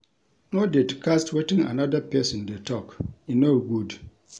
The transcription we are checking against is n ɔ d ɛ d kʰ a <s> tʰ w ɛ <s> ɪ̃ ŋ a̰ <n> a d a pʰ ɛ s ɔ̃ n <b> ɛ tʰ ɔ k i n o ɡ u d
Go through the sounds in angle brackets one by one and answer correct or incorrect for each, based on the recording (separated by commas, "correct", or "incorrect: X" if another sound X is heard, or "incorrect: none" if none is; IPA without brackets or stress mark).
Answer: correct, incorrect: t, correct, incorrect: d